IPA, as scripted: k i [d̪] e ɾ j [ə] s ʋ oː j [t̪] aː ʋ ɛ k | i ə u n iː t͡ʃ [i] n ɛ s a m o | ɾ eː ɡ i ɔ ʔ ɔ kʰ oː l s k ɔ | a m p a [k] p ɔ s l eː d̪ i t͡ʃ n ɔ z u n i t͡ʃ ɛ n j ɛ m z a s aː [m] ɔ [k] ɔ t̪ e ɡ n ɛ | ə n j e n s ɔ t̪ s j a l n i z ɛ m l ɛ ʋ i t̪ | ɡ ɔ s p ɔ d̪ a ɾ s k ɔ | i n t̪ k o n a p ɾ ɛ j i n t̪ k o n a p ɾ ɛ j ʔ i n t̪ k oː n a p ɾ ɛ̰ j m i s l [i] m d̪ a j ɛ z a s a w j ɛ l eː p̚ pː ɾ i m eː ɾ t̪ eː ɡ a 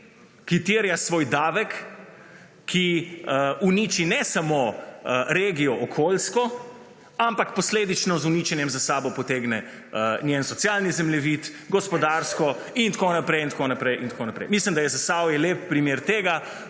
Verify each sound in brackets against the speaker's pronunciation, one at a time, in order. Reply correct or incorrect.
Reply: incorrect: t̪, incorrect: a, incorrect: d̪, correct, correct, incorrect: b, incorrect: p, correct

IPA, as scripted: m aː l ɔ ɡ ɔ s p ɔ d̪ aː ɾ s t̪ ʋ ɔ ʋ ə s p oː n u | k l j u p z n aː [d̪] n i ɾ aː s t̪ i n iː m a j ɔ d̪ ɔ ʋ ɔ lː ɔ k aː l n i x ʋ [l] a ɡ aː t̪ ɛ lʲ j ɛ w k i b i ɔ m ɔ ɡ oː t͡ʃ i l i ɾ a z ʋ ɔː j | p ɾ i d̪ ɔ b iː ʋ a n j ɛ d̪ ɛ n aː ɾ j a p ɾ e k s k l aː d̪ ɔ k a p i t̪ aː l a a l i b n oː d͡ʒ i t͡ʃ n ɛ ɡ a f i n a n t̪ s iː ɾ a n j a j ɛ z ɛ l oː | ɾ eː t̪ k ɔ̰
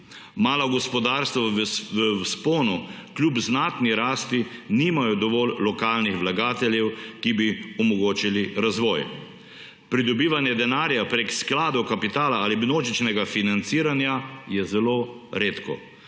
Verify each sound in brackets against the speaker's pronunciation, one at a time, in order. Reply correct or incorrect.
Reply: incorrect: t̪, correct

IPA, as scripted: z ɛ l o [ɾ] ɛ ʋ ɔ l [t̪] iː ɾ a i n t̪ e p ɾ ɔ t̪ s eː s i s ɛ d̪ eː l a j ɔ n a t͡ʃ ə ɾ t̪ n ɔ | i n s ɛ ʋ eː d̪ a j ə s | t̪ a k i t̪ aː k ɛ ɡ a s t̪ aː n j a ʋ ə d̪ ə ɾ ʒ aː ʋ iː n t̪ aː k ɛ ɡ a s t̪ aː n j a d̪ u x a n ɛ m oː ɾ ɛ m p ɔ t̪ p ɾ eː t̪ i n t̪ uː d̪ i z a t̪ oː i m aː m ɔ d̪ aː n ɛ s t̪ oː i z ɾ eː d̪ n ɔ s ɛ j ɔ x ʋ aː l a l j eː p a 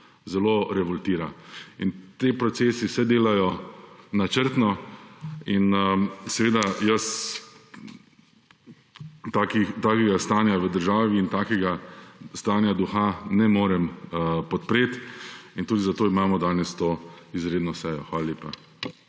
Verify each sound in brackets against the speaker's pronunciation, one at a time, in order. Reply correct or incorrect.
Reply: correct, correct

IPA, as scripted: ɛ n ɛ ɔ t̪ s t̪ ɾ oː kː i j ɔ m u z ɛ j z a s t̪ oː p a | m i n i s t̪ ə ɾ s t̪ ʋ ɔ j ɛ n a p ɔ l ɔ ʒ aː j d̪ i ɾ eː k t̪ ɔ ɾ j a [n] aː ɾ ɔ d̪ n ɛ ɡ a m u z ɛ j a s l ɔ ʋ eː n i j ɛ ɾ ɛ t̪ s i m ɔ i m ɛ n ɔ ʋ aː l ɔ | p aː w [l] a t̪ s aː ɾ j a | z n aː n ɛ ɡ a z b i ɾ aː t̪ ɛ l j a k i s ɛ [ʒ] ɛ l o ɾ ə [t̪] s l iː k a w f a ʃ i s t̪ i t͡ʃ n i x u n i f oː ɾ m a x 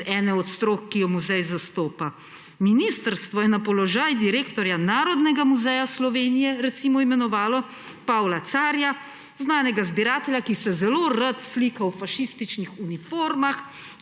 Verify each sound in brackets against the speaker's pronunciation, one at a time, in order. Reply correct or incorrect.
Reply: correct, correct, incorrect: z, correct

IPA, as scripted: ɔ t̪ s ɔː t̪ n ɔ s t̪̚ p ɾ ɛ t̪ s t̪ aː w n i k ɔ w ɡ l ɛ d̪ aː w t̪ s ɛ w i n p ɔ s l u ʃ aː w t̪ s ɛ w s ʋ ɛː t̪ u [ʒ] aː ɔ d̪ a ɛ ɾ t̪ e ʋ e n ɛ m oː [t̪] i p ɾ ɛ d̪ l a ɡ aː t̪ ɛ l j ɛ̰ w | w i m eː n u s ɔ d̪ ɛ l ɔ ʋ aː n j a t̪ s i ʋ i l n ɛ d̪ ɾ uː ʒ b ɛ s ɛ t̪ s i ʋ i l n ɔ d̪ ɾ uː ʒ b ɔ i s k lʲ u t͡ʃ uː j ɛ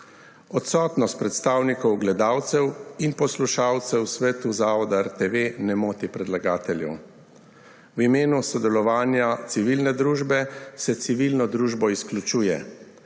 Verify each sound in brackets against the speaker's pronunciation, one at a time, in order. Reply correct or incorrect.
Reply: incorrect: z, correct

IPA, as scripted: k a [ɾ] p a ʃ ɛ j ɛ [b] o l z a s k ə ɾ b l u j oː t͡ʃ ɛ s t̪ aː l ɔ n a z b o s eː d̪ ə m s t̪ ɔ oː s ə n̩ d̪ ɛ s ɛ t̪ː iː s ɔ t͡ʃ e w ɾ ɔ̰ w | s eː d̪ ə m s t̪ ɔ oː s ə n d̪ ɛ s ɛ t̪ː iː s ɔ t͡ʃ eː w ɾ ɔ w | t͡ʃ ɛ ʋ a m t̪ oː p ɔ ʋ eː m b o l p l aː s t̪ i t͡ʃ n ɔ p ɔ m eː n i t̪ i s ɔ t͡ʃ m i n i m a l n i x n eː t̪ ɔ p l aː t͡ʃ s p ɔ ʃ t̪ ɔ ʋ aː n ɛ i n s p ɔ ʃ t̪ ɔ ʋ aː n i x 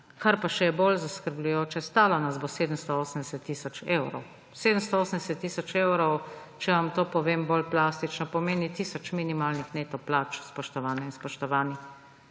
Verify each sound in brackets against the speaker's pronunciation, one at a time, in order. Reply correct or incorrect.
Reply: correct, correct

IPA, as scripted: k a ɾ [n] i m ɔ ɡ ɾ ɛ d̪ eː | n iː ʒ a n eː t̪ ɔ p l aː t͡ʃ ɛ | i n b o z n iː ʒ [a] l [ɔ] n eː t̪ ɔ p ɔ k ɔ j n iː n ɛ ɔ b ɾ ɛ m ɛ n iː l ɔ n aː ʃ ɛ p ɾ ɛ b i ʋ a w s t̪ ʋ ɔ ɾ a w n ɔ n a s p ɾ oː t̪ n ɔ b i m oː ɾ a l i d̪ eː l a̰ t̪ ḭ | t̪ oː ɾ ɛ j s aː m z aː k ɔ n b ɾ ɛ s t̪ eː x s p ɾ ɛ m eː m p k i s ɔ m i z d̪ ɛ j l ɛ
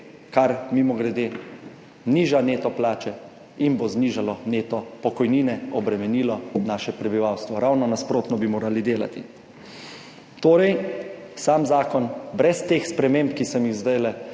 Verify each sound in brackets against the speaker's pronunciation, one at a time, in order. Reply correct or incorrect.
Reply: incorrect: m, correct, correct

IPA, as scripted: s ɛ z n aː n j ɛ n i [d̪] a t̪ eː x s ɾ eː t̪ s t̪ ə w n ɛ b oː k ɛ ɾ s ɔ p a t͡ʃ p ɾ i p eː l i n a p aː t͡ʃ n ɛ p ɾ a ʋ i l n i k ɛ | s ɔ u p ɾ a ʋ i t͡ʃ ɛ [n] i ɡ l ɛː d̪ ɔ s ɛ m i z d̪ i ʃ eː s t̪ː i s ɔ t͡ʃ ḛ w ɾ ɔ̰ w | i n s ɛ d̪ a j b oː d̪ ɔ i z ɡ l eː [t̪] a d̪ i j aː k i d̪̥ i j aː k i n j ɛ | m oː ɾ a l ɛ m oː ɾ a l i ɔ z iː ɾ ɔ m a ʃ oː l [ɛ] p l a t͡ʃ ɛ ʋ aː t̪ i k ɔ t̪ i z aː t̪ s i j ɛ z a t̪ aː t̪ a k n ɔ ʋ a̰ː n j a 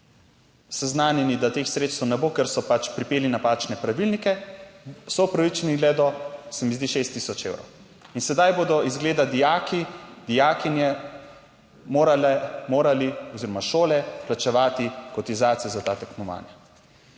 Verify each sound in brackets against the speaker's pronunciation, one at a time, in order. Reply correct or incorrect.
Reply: correct, correct, incorrect: d̪, correct

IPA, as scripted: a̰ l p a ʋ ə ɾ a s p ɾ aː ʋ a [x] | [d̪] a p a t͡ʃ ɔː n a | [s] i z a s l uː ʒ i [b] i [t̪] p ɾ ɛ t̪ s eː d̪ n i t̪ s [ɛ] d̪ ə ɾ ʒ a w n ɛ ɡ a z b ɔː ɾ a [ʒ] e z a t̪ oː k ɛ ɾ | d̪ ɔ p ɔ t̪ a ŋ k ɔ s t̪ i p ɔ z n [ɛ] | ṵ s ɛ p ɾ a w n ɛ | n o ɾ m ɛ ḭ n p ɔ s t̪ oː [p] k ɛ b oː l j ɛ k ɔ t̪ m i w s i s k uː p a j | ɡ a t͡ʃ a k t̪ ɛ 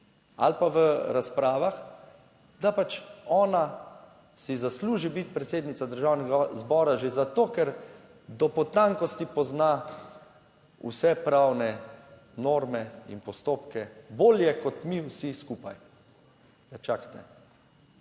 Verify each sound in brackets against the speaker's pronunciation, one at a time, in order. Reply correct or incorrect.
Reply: correct, correct, correct, correct, correct, incorrect: a, correct, incorrect: a, correct

